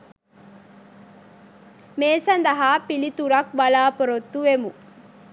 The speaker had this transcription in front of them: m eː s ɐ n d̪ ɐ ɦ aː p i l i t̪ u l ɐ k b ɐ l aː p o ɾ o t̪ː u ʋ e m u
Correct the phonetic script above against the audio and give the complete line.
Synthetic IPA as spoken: m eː s ɐ n d̪ ɐ ɦ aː p i l i t̪ u ɾ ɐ k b ɐ l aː p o ɾ o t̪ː u ʋ e m u